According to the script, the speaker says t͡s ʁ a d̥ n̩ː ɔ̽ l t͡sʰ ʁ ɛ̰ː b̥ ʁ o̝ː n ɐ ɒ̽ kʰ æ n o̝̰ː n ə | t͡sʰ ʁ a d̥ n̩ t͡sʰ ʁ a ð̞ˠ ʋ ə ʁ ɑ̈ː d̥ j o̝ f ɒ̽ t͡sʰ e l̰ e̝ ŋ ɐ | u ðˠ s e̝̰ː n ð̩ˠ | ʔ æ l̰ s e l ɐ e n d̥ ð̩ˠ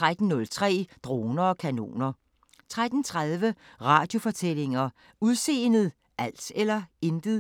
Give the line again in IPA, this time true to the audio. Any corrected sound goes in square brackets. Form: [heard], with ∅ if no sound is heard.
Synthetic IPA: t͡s ʁ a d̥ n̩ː ɔ̽ l t͡sʰ ʁ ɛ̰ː [d̥] ʁ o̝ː n ɐ ɒ̽ kʰ æ n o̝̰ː n [ɐ] | t͡sʰ ʁ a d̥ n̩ t͡sʰ ʁ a ð̞ˠ ʋ ə ʁ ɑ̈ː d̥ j o̝ f ɒ̽ t͡sʰ e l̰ e̝ ŋ ɐ | u ðˠ s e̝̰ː n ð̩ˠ | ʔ æ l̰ s e l ɐ e n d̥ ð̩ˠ